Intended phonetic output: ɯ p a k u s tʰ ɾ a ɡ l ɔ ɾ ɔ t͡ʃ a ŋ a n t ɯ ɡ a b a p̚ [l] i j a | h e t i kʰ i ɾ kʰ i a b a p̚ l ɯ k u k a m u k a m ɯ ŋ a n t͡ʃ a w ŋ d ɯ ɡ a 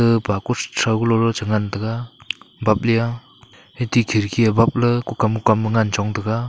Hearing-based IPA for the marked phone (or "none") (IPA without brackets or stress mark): l